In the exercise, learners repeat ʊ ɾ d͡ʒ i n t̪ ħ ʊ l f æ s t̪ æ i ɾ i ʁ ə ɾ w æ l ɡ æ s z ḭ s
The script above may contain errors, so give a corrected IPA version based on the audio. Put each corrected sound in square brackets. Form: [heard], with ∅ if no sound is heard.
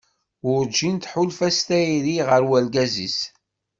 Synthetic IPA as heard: ʊ ɾ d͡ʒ i n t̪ ħ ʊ l f æ s t̪ æ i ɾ i ʁ ə ɾ w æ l ɡ æ [∅] z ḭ s